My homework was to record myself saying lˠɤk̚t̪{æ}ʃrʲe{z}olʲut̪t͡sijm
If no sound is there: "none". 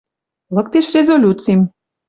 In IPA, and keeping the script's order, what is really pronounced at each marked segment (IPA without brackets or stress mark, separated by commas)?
e, z